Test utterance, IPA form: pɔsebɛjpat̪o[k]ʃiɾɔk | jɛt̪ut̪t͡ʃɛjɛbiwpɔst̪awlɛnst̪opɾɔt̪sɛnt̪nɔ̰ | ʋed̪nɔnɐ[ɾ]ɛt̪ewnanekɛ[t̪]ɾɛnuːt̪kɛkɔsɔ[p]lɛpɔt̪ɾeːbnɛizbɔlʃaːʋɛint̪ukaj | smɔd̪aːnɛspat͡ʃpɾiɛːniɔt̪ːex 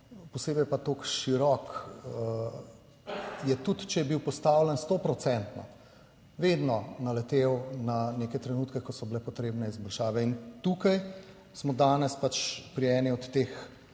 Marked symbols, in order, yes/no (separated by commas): yes, no, yes, no